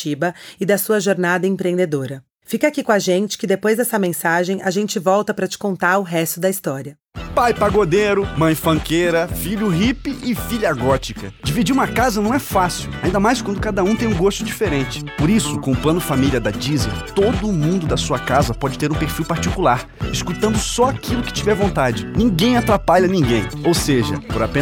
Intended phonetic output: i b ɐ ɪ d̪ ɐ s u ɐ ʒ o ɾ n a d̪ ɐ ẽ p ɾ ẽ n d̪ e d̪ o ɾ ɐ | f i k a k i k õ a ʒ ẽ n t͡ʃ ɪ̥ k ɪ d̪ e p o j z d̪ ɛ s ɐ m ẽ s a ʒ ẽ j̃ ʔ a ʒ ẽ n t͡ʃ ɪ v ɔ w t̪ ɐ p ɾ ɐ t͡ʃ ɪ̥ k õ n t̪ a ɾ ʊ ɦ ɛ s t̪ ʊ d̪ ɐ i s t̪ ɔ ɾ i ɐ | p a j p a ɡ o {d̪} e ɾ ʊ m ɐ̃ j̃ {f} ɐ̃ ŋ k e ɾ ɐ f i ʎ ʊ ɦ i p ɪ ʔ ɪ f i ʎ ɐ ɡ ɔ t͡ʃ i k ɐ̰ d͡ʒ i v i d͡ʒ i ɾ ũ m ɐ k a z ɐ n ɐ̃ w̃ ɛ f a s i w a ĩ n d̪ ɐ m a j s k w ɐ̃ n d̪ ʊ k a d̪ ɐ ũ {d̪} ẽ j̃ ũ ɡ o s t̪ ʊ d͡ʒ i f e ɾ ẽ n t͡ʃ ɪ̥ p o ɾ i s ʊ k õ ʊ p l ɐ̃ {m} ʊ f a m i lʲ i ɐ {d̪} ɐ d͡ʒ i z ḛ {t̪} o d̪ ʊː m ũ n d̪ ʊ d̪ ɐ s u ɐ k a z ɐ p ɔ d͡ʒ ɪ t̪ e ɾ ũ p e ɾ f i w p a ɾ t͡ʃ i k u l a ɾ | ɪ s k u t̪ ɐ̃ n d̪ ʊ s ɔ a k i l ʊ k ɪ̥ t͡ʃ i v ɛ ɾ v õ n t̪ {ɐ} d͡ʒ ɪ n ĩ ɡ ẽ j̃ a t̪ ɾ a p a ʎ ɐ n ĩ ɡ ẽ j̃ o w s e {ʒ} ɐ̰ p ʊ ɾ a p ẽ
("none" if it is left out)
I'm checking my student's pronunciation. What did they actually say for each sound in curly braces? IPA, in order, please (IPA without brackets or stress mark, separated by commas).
d̪, f, t̪, n, d̪, t̪, a, ʒ